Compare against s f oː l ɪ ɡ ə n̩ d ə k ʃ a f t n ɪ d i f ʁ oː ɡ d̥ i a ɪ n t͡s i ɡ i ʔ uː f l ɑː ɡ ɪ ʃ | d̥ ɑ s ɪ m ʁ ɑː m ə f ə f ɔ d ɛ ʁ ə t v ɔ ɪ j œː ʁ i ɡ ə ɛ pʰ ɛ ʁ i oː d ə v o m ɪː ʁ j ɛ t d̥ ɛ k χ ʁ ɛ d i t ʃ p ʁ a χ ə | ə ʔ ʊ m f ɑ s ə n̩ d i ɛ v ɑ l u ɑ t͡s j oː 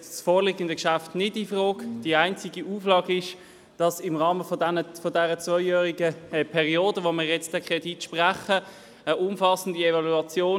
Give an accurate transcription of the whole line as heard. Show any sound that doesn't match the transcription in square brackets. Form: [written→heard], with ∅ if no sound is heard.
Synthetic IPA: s f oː l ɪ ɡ ə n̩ d ə k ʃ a f t n ɪ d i f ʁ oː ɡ d̥ i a ɪ n t͡s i ɡ i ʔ uː f l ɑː ɡ ɪ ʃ | d̥ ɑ s ɪ m ʁ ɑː m ə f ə f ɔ d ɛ ʁ ə [t→t͡s] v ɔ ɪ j œː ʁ i ɡ ə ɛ pʰ ɛ ʁ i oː d ə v o m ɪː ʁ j ɛ [t→t͡s] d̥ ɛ k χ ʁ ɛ d i t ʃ p ʁ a χ ə | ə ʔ ʊ m f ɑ s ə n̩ d i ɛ v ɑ l u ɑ t͡s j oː